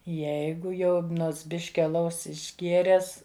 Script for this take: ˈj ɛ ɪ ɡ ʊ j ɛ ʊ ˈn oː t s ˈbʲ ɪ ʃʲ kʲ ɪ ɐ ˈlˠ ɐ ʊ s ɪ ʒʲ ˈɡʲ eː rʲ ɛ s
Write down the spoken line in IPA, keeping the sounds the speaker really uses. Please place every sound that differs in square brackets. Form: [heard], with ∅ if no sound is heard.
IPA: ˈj ɛ ɪ ɡ ʊ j ɛ ʊ ˈn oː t s ˈbʲ ɪ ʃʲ kʲ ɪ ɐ ˈlˠ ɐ ʊ s ɪ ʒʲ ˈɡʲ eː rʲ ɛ s